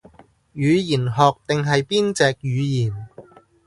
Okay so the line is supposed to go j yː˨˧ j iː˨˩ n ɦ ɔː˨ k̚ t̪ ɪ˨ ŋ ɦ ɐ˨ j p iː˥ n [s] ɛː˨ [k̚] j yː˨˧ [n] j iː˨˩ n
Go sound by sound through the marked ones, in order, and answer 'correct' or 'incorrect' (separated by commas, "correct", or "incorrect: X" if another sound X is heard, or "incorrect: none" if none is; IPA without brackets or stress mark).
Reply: incorrect: t͡s, correct, incorrect: none